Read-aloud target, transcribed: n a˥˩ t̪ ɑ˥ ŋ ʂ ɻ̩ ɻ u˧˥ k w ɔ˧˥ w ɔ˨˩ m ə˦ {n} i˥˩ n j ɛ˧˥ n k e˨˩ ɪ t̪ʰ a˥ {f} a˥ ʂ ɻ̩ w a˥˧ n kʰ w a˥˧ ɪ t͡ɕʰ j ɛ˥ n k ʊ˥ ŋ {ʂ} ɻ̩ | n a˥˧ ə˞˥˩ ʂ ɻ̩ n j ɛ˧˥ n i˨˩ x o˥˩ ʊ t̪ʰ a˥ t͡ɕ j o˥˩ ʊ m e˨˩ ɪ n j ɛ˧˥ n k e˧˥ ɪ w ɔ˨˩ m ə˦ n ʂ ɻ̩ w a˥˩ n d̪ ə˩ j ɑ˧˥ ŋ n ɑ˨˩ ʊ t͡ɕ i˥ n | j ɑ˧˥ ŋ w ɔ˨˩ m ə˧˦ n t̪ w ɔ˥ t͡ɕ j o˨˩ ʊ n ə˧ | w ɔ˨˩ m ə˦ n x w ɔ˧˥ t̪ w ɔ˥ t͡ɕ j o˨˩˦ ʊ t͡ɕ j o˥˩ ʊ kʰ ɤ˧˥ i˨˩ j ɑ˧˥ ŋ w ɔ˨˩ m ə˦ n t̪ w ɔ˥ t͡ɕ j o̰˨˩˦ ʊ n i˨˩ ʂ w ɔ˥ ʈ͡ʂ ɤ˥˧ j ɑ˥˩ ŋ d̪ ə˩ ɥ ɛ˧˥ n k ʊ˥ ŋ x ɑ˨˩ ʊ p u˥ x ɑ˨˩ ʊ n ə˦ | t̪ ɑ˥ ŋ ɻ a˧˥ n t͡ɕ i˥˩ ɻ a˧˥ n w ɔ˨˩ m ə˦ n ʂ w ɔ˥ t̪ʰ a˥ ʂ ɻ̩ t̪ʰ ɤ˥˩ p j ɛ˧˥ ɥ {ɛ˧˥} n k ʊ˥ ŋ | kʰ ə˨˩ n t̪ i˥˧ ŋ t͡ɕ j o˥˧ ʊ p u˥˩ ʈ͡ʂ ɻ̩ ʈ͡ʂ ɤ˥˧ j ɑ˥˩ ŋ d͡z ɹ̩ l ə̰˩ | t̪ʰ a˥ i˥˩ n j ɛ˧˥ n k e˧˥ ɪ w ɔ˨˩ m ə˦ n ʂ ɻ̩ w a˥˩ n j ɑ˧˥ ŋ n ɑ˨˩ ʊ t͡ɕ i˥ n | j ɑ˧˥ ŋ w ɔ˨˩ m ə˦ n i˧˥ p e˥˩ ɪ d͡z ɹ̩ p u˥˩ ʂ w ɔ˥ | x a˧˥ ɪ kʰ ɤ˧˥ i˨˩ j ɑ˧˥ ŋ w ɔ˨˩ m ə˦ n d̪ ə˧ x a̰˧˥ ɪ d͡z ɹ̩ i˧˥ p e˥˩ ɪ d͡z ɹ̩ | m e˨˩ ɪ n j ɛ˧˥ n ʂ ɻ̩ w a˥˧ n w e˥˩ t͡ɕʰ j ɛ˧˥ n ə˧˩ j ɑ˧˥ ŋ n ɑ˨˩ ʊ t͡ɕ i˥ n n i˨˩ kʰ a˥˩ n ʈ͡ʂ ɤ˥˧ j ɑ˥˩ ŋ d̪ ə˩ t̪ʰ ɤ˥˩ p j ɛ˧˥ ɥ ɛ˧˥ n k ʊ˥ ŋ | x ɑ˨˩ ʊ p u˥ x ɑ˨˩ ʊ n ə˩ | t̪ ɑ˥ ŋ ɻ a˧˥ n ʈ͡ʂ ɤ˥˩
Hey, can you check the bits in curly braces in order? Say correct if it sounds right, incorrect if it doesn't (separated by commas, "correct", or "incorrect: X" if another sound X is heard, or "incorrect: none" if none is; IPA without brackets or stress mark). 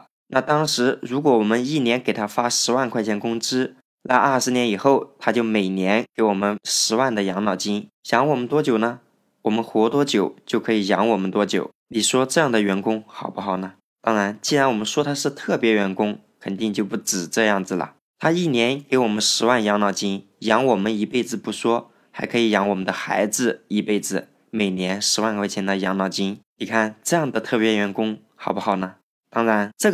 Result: correct, correct, incorrect: ʈ͡ʂ, correct